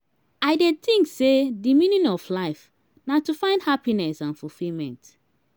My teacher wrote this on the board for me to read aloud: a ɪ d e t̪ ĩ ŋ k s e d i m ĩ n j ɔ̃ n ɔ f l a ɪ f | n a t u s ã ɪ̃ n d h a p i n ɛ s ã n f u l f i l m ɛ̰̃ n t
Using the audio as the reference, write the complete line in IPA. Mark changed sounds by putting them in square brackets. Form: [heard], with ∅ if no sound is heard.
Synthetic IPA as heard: a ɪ d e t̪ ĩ ŋ k s e d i m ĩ n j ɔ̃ n ɔ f l a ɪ f | n a t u [f] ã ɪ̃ n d h a p i n ɛ s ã n f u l f i l m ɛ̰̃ n t